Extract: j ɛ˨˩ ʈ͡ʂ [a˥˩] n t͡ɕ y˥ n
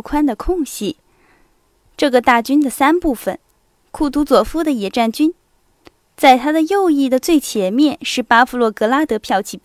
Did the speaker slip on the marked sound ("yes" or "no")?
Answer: no